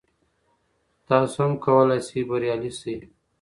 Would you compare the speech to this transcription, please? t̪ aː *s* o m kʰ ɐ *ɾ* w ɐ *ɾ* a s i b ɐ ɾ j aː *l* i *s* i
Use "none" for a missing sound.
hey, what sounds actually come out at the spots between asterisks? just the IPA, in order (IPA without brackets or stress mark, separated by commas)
s, none, l, l, s